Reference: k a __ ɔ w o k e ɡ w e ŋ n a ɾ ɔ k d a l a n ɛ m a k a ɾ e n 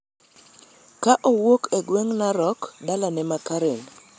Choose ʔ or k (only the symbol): ʔ